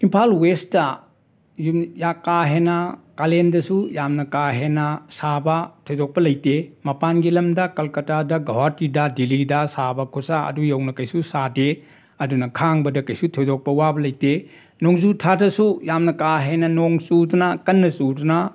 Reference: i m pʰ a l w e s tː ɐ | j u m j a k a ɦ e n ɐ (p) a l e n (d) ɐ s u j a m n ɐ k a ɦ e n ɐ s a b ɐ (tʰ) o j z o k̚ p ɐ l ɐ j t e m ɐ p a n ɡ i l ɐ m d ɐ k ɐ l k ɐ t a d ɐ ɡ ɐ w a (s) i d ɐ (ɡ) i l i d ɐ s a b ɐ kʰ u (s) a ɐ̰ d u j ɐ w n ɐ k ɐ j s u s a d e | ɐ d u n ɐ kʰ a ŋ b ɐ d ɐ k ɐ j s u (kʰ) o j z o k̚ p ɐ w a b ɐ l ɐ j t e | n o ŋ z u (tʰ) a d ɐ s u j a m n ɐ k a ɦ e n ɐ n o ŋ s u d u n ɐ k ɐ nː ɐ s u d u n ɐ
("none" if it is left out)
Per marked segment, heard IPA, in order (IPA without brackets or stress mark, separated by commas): k, d, tʰ, t, d, s, tʰ, tʰ